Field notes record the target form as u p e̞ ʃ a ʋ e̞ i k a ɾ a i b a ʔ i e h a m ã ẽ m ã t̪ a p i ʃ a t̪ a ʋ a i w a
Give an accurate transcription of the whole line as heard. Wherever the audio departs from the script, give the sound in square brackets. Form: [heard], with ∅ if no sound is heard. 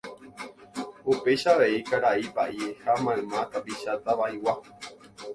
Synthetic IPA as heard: u p e̞ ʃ a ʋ e̞ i k a ɾ a i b a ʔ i e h a m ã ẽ m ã t̪ a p i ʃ a t̪ a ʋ a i w a